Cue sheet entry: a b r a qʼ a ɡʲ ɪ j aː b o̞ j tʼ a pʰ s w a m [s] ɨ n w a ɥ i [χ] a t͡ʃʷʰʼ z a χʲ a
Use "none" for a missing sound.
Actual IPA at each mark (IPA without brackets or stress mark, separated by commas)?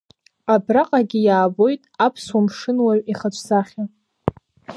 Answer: ʂ, χ